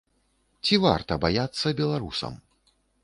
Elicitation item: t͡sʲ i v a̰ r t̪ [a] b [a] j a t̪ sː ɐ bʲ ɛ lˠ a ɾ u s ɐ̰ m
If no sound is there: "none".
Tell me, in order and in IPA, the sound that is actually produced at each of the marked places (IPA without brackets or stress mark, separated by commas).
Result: ɐ, a